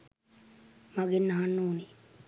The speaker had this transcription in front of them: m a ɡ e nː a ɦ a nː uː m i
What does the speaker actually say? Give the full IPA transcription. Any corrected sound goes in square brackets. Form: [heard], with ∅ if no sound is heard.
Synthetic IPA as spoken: m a ɡ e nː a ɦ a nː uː [n] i